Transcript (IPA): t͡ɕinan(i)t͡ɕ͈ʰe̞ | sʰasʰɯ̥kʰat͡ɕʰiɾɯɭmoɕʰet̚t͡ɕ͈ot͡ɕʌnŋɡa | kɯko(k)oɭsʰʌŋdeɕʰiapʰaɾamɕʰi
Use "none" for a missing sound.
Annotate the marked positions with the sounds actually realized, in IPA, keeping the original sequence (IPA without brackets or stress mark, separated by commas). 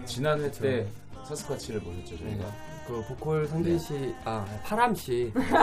e, kʰ